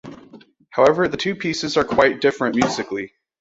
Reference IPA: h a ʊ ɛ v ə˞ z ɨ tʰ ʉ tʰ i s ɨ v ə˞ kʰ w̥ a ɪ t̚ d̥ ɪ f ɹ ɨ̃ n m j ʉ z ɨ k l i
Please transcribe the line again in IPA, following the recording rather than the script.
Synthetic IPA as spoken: h a ʊ ɛ v ə˞ ð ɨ tʰ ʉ pʰ i s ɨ z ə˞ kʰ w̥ a ɪ t̚ d̥ ɪ f ɹ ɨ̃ n m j ʉ z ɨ k l i